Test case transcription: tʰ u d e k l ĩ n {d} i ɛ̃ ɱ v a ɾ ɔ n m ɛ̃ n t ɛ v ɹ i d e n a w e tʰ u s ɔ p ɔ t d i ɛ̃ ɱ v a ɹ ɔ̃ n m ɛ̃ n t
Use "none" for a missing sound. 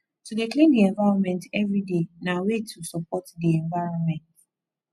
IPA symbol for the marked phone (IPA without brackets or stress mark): d